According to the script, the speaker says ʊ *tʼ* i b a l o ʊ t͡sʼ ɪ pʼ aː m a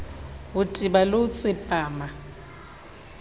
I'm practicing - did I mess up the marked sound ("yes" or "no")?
no